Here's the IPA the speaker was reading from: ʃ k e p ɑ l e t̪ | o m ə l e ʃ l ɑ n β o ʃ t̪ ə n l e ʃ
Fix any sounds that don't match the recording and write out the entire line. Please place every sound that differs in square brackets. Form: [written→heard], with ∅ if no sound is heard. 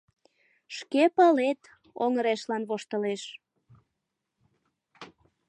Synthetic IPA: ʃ k e p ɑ l e t̪ | o [m→ŋ] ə [l→ɾ] e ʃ l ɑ n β o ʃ t̪ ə [n→∅] l e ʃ